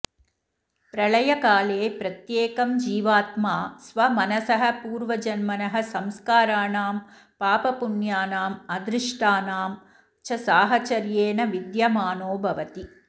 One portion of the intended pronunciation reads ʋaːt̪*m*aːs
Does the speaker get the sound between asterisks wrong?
no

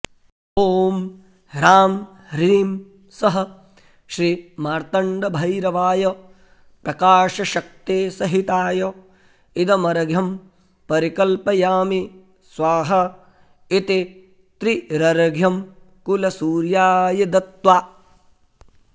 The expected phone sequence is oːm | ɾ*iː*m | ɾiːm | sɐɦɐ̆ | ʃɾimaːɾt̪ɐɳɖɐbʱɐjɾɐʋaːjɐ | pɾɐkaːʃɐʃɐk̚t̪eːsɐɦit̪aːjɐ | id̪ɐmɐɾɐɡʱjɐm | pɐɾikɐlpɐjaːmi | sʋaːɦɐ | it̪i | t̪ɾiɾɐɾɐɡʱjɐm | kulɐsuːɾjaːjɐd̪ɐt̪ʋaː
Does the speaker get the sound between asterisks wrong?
yes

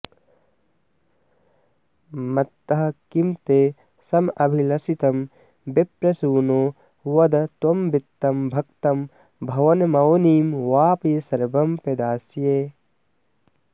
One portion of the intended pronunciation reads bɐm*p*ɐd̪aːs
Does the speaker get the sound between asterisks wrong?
no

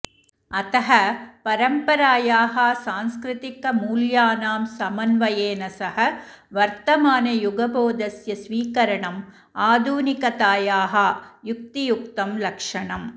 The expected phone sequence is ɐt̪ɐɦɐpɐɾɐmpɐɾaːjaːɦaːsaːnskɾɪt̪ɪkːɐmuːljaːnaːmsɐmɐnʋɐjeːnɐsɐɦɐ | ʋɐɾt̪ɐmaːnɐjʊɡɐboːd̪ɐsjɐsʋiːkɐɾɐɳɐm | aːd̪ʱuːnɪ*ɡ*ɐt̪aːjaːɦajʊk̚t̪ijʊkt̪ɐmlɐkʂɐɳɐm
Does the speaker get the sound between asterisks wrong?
yes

